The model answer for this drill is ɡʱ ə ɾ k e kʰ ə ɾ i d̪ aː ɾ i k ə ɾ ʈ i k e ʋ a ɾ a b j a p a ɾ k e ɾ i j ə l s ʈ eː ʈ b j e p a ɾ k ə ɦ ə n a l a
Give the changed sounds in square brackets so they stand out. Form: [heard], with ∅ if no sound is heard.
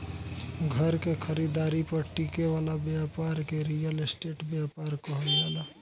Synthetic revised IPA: ɡʱ ə ɾ k e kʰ ə ɾ i d̪ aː ɾ i [p] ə ɾ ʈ i k e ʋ a [l] a b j a p a ɾ k e ɾ i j ə l s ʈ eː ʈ b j [a] p a ɾ k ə ɦ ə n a l a